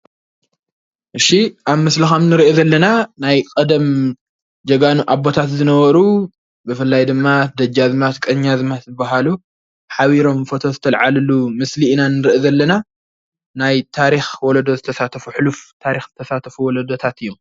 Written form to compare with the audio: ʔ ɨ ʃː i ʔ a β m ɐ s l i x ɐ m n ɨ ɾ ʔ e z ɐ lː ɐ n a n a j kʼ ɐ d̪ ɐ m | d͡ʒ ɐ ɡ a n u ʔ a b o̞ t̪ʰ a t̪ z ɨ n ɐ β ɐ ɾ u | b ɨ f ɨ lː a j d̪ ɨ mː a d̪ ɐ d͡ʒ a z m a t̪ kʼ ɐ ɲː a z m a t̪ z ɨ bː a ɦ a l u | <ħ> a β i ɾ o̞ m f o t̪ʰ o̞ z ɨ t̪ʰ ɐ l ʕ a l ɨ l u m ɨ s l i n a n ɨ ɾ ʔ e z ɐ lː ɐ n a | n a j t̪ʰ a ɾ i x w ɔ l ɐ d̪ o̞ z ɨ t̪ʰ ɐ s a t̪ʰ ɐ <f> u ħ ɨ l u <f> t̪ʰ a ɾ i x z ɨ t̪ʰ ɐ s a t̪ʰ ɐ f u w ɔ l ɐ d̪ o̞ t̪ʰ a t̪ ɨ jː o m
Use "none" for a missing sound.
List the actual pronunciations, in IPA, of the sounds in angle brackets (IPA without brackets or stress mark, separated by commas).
ħ, f, f